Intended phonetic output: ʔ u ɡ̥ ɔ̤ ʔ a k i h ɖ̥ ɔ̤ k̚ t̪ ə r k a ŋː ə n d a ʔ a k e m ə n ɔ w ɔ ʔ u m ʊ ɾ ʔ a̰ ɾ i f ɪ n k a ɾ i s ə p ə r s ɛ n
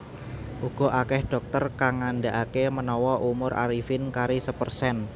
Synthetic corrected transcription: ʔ u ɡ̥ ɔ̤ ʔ a k ɛ h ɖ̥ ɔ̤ k̚ t̪ ə r k a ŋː a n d a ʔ a k e m ə n ɔ w ɔ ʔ u m ʊ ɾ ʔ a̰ ɾ i f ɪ n k a ɾ i s ə p ə r s ɛ n